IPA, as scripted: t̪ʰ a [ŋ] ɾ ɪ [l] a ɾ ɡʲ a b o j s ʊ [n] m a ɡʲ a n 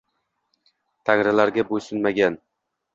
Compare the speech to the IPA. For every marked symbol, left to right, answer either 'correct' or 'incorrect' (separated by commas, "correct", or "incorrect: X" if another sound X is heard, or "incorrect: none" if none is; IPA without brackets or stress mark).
correct, correct, correct